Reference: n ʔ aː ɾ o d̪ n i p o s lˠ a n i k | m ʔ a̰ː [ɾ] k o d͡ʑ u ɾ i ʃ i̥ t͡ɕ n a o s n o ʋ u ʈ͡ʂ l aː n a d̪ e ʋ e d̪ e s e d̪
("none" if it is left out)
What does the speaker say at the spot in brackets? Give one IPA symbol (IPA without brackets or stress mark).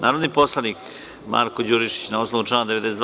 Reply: ɾ